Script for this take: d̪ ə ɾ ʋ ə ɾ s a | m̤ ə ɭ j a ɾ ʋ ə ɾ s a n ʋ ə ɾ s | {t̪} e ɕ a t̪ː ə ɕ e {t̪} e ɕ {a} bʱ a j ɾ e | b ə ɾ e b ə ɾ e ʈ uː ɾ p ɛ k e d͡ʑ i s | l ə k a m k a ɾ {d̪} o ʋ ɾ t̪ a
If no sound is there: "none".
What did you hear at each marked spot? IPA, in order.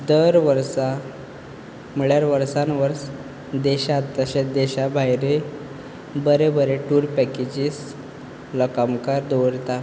d̪, d̪, a, d̪

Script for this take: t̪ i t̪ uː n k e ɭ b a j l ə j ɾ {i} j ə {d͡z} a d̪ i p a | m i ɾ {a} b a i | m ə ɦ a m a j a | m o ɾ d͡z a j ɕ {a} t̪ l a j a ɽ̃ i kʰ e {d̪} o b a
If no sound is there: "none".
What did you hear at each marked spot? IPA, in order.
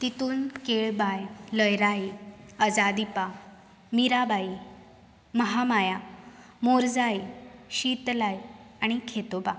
a, d͡z, a, i, t̪

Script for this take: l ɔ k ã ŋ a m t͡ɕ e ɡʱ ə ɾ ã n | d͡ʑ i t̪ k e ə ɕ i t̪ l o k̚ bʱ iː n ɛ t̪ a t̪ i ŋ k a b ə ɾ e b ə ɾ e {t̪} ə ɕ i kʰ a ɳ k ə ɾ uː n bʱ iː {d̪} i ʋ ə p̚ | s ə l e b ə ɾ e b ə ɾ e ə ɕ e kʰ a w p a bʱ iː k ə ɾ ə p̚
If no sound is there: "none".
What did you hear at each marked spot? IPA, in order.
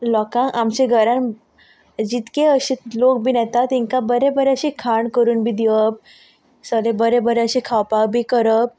none, d̪

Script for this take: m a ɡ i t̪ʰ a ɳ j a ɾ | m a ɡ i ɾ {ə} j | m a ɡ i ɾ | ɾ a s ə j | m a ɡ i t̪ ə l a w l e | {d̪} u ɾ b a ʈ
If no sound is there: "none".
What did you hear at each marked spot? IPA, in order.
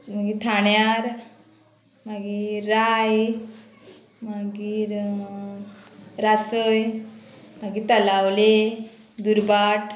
a, d̪

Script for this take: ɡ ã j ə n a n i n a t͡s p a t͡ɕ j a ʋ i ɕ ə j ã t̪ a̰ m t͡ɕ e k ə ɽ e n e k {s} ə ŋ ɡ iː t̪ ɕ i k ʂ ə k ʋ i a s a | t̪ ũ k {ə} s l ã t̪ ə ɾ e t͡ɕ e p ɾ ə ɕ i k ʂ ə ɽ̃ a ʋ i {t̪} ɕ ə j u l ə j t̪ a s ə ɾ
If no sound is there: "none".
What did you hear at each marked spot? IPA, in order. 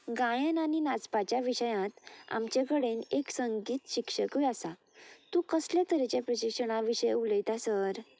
s, ə, none

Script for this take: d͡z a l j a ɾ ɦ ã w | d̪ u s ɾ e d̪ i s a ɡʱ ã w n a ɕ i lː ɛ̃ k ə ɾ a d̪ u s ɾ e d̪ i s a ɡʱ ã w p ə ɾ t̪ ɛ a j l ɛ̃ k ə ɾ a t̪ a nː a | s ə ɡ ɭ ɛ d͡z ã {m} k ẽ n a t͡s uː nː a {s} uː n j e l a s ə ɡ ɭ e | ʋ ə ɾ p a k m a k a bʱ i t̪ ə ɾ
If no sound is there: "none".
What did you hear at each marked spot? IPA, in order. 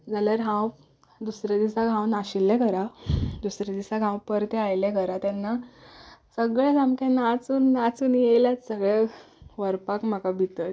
m, t͡s

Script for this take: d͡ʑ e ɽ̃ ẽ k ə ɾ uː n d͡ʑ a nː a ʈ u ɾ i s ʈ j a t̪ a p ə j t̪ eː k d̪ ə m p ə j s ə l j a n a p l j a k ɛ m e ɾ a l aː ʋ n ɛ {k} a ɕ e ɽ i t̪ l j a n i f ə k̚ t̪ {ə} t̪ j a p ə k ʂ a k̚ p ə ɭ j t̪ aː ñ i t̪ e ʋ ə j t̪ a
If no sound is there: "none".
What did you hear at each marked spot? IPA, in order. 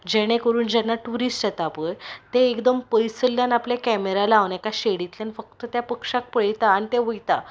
k, ə

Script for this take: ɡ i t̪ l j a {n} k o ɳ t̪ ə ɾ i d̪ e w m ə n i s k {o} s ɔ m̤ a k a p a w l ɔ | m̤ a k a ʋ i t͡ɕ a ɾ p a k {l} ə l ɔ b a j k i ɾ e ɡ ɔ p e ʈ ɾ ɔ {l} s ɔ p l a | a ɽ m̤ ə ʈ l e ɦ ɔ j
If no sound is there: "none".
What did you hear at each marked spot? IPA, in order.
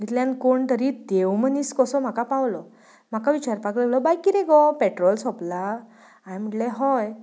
n, ɔ, l, l

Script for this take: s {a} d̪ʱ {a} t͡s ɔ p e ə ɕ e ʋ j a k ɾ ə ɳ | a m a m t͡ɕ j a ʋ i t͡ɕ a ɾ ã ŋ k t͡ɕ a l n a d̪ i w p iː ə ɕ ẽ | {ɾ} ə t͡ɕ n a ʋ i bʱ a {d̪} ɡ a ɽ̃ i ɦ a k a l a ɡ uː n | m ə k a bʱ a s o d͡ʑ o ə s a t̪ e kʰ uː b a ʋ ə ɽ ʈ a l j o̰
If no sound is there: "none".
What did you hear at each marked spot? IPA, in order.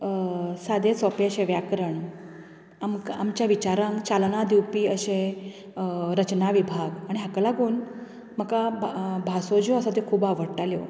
a, e, ɾ, none

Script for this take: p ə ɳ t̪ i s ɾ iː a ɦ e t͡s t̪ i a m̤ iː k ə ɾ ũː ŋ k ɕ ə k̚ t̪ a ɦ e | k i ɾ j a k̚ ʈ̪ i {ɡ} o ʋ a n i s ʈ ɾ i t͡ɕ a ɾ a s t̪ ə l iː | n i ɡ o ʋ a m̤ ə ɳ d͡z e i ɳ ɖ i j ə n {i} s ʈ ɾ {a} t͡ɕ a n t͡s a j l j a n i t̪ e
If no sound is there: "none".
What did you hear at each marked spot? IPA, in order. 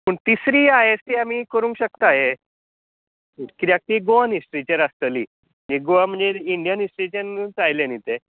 ɡ, i, i

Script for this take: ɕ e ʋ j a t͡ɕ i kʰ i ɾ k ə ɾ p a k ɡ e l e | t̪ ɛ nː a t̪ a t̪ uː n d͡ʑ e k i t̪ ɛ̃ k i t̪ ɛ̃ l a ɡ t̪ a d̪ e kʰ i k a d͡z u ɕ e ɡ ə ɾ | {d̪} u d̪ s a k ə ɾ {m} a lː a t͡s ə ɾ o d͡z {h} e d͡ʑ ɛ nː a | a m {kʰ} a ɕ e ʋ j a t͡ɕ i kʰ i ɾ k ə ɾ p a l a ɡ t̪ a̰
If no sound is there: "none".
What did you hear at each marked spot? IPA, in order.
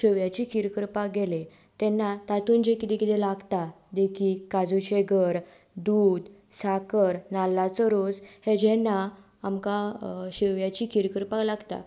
d̪, n, h, k

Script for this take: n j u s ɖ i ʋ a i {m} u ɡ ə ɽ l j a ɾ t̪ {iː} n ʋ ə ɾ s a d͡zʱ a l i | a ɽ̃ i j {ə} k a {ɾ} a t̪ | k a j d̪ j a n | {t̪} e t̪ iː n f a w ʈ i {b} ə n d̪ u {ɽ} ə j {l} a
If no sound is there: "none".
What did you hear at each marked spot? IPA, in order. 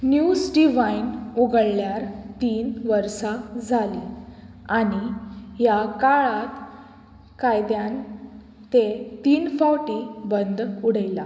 n, iː, a, ɭ, t̪, b, ɽ, l

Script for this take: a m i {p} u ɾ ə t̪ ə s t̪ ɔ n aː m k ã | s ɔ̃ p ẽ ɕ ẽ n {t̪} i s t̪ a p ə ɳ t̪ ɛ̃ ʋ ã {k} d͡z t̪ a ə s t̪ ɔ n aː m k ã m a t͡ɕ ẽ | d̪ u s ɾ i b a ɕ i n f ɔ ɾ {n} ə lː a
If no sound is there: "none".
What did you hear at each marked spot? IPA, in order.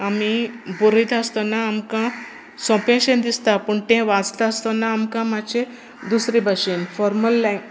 b, d̪, none, m

